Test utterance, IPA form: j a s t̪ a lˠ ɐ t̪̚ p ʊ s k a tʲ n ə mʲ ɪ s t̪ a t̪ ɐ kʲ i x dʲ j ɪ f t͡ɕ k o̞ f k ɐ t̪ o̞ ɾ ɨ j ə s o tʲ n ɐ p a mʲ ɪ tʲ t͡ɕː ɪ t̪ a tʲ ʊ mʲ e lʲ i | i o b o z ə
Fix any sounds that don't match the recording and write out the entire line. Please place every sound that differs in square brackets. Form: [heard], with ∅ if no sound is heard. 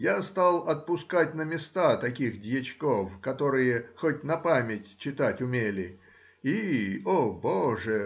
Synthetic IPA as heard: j a s t̪ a lˠ ɐ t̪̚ p ʊ s k a tʲ n ə mʲ ɪ s t̪ a t̪ ɐ kʲ i x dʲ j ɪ [∅] t͡ɕ k o̞ f k ɐ t̪ o̞ ɾ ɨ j ə [x] o tʲ n ɐ p a mʲ ɪ tʲ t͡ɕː ɪ t̪ a tʲ ʊ mʲ e lʲ [ɪ] | i o b o [ʐ] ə

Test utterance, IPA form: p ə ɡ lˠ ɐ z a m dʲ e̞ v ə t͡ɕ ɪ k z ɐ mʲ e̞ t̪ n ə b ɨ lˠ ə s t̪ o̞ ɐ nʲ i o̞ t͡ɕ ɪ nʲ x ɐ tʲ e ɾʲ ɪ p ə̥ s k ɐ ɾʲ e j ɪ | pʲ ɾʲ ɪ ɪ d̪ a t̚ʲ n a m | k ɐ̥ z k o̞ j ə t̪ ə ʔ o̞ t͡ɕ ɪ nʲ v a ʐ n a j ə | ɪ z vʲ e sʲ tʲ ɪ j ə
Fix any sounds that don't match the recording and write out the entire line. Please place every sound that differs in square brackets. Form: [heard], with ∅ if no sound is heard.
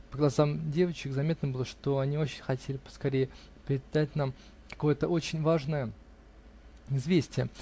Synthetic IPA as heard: p ə ɡ lˠ ɐ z a m dʲ e̞ v ə t͡ɕ ɪ k z ɐ mʲ e̞ t̪ n ə b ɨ lˠ ə [ʂ] t̪ o̞ ɐ nʲ i o̞ t͡ɕ ɪ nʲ x ɐ tʲ e [lʲ] ɪ p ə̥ s k ɐ ɾʲ e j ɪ | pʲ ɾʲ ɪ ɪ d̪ a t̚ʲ n a m | k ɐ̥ [∅] k o̞ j ə t̪ ə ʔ o̞ t͡ɕ ɪ nʲ v a ʐ n [ə] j ə | ɪ z vʲ e sʲ tʲ ɪ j ə

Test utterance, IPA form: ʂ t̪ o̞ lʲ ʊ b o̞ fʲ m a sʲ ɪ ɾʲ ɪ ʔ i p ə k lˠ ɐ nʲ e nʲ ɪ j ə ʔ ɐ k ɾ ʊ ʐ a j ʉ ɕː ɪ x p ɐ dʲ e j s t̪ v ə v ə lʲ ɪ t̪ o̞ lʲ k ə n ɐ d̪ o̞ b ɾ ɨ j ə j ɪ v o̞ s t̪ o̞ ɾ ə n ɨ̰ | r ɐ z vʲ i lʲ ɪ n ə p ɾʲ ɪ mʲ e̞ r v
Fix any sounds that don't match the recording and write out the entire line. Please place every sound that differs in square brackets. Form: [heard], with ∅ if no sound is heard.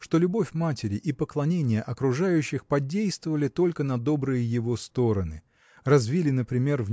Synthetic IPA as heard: ʂ t̪ o̞ lʲ ʊ b o̞ fʲ m a [tʲ] ɪ ɾʲ ɪ ʔ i p ə k lˠ ɐ nʲ e nʲ ɪ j ə ʔ ɐ k ɾ ʊ ʐ a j ʉ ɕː ɪ x p ɐ dʲ e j s t̪ v ə v ə lʲ ɪ t̪ o̞ lʲ k ə n ɐ d̪ o̞ b ɾ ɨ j ə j ɪ v o̞ s t̪ o̞ ɾ ə n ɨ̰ | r ɐ z vʲ i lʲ ɪ n ə p ɾʲ ɪ mʲ e̞ r v

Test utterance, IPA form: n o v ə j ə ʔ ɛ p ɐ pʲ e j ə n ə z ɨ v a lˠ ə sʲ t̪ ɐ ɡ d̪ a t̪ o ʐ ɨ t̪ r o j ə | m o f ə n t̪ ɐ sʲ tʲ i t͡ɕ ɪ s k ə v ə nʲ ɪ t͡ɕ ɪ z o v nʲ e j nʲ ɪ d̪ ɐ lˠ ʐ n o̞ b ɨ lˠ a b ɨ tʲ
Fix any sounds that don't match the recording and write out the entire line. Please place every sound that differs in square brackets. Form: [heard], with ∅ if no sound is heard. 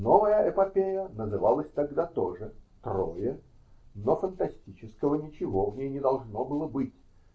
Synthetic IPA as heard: n o v ə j ə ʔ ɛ p ɐ pʲ e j ə n ə z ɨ v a lˠ ə sʲ t̪ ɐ ɡ d̪ a t̪ o ʐ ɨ t̪ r o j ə | [n] o f ə n t̪ ɐ sʲ tʲ i t͡ɕ ɪ s k ə v ə nʲ ɪ t͡ɕ ɪ [v] o v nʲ e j nʲ ɪ d̪ ɐ lˠ ʐ n o̞ b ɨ lˠ [ə] b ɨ tʲ

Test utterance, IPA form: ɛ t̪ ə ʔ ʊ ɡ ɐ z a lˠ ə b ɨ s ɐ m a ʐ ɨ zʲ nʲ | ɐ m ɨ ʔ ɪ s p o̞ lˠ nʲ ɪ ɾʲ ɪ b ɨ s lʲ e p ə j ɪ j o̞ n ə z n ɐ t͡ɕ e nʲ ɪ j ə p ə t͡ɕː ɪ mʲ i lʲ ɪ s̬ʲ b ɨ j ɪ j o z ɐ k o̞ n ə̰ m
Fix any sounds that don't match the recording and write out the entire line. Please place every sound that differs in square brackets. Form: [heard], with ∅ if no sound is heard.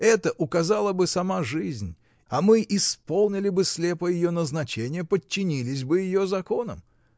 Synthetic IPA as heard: ɛ t̪ ə ʔ ʊ [k] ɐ z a lˠ ə b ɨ s ɐ m a ʐ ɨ zʲ nʲ | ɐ m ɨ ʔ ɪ s p o̞ lˠ nʲ ɪ [lʲ] ɪ b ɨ s lʲ e p ə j ɪ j o̞ n ə z n ɐ t͡ɕ e nʲ ɪ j ə p ə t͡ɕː ɪ [nʲ] i lʲ ɪ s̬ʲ b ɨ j ɪ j o z ɐ k o̞ n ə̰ m

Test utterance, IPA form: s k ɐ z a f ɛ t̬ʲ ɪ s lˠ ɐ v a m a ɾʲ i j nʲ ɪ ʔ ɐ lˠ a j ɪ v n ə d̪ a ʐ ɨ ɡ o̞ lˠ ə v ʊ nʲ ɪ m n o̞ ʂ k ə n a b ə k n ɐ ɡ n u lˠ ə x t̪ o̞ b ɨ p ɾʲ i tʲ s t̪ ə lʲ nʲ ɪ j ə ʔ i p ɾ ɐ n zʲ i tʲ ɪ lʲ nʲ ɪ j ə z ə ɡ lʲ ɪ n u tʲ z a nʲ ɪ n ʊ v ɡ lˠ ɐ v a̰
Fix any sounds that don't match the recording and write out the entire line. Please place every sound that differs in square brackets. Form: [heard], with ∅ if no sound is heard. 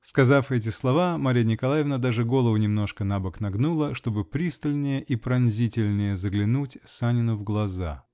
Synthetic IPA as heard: s k ɐ z a f ɛ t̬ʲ ɪ s lˠ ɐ v a m a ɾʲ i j nʲ ɪ [k] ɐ lˠ a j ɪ v n ə d̪ a ʐ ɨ ɡ o̞ lˠ ə v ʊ nʲ ɪ m n o̞ ʂ k ə n a b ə k n ɐ ɡ n u lˠ ə [ʂ] t̪ o̞ b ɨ p ɾʲ i [∅] s t̪ ə lʲ nʲ ɪ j ə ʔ i p ɾ ɐ n zʲ i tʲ ɪ lʲ nʲ ɪ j ə z ə ɡ lʲ ɪ n u tʲ [s] a nʲ ɪ n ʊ v ɡ lˠ ɐ [z] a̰

